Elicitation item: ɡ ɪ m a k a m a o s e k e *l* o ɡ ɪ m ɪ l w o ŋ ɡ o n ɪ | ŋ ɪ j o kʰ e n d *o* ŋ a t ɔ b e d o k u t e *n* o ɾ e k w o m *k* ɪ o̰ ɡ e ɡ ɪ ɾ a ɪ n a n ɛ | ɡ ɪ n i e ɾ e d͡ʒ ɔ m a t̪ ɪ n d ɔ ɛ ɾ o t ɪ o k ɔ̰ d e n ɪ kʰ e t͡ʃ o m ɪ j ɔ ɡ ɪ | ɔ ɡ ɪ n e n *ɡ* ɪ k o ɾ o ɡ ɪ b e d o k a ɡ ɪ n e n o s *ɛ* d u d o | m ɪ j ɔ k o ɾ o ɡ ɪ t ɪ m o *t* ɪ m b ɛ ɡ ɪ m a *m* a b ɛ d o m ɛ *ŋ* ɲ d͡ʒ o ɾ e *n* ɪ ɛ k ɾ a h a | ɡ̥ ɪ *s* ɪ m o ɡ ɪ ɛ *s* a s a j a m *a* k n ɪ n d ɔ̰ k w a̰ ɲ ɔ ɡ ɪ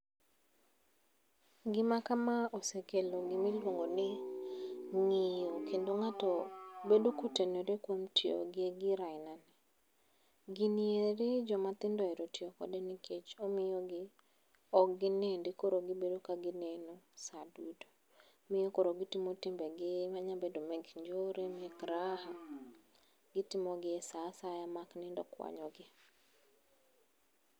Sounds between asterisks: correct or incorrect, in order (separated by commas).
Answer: correct, correct, correct, incorrect, incorrect, incorrect, correct, incorrect, incorrect, incorrect, incorrect, correct, correct